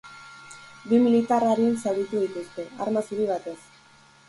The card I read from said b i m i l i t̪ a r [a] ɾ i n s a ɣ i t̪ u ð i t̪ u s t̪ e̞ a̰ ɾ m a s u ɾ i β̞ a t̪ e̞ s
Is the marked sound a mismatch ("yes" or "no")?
no